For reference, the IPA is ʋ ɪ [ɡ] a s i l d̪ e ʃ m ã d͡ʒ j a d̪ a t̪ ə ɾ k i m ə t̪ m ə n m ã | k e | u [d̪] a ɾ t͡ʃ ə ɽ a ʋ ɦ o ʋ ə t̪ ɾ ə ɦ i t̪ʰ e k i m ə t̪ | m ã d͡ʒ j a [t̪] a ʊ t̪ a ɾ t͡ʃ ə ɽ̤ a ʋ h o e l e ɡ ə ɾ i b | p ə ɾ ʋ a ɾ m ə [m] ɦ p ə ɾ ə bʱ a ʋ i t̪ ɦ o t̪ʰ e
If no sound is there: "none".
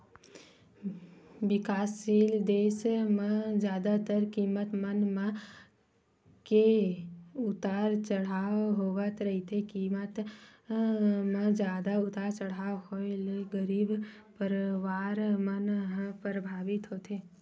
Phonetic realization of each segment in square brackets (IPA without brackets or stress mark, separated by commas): k, t̪, d̪, n